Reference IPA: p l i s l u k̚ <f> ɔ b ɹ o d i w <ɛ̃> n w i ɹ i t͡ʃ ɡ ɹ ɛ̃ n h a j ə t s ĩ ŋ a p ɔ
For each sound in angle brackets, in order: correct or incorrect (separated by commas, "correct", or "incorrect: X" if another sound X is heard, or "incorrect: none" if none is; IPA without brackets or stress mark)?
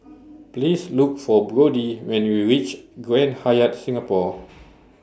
correct, correct